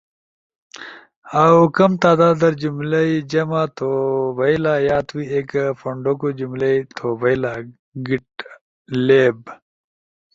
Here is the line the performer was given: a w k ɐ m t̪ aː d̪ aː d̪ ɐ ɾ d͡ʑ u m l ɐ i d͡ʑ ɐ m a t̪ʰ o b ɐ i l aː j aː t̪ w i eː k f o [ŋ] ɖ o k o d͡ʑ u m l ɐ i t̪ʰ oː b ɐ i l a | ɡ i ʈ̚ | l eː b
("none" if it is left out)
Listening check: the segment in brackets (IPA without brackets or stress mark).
ɳ